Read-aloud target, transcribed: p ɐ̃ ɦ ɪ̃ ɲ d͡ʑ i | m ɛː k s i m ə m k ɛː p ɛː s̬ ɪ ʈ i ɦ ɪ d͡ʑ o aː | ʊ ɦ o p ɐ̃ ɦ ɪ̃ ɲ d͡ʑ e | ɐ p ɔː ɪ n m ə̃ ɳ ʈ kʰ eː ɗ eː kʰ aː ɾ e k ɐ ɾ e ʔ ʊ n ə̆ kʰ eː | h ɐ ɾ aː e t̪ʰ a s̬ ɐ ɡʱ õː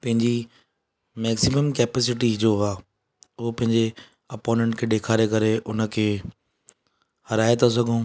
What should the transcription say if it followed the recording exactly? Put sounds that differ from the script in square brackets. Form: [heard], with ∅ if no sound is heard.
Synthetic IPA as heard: p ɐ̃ ɦ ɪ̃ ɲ d͡ʑ i | m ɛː k s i m ə m k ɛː p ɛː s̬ ɪ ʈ i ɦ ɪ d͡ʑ o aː | ʊ ɦ o p ɐ̃ ɦ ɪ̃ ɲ d͡ʑ e | ɐ p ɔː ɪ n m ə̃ ɳ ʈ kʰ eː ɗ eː kʰ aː ɾ e k ɐ ɾ e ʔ ʊ n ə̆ kʰ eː | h ɐ ɾ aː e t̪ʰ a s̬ ɐ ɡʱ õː